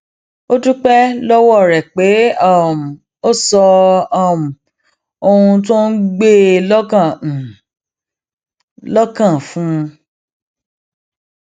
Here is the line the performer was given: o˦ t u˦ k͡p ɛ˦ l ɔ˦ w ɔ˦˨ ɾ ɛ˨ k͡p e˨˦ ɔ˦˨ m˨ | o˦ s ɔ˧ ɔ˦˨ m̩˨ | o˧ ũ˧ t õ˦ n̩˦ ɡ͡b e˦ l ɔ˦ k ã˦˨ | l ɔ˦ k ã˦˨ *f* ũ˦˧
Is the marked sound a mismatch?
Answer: no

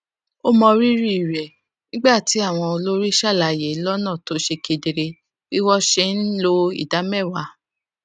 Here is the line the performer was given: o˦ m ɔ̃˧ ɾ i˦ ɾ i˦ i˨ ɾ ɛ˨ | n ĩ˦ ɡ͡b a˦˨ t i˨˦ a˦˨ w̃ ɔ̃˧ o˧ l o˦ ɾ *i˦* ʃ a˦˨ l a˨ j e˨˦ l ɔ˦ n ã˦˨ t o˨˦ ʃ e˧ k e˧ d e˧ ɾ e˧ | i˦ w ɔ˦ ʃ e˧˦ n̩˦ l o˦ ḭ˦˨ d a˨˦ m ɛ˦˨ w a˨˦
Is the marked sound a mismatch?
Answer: no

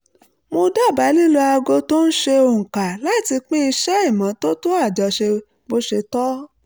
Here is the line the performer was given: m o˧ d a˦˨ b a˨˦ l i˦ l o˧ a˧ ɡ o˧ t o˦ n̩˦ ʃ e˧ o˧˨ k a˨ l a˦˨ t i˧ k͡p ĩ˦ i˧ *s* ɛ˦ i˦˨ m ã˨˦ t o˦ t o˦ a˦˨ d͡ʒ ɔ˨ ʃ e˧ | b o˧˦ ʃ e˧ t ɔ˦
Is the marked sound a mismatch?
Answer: yes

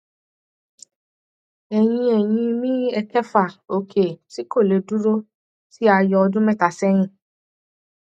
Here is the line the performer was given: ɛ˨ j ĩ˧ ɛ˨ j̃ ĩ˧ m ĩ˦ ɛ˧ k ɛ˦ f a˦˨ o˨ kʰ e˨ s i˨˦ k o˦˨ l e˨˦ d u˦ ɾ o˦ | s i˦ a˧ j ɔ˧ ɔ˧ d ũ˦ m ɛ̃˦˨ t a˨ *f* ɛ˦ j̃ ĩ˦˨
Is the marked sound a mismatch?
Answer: yes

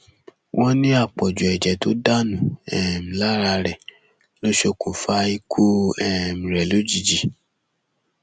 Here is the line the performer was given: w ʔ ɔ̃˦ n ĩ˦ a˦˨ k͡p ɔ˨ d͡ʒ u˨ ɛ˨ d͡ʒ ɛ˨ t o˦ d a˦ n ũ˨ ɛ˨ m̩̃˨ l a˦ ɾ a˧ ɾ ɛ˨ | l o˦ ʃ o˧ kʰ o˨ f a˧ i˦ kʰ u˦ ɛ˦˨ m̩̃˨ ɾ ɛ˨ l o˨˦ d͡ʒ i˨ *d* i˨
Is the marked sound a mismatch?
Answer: yes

